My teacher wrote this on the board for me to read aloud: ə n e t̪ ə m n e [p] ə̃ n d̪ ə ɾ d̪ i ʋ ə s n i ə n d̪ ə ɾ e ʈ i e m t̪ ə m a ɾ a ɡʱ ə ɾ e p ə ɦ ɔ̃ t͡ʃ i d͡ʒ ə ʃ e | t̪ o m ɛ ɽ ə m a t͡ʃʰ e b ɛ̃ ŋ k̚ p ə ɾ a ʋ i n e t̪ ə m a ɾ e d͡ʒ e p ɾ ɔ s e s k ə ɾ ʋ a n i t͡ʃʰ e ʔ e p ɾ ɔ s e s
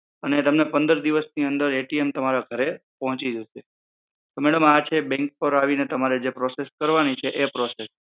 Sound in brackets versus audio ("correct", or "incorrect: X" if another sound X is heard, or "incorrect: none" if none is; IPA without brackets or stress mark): correct